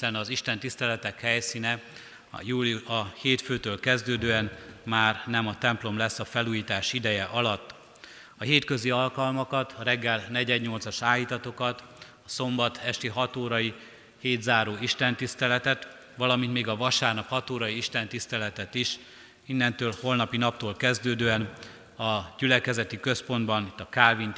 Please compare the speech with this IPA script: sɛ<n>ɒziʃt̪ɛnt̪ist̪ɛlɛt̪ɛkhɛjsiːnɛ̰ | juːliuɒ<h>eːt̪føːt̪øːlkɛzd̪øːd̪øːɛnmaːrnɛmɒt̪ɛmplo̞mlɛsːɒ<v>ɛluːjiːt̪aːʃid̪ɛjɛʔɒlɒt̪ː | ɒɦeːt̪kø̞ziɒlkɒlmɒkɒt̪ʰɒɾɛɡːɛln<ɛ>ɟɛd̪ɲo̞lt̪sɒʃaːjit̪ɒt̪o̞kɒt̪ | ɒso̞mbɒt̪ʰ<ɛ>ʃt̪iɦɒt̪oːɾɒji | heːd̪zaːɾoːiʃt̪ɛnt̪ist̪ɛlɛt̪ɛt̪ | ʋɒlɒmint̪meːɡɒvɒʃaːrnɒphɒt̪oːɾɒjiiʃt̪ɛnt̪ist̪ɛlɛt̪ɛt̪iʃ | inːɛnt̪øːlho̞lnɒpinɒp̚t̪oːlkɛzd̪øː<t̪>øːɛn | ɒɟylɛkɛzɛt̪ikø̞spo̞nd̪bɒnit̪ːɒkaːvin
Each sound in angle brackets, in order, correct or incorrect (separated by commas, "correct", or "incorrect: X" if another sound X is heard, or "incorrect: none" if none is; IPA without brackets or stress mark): correct, correct, incorrect: f, correct, correct, incorrect: d̪